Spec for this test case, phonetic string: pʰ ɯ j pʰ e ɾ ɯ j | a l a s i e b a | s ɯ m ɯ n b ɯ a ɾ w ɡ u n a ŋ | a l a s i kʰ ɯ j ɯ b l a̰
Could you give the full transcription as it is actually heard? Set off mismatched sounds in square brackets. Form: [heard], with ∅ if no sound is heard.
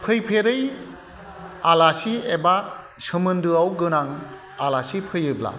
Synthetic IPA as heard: pʰ ɯ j pʰ e ɾ ɯ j | a l a s i e b a | s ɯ m ɯ n [d] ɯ a [∅] w ɡ [ɯ] n a ŋ | a l a s i [pʰ] ɯ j ɯ b l a̰